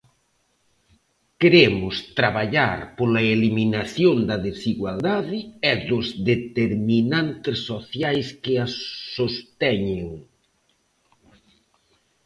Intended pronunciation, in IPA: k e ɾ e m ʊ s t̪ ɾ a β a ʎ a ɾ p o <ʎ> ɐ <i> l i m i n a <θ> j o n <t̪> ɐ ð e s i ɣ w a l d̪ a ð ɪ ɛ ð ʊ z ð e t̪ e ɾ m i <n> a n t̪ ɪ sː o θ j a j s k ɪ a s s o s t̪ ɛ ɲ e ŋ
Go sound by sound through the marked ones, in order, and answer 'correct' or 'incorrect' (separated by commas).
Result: incorrect, incorrect, correct, incorrect, correct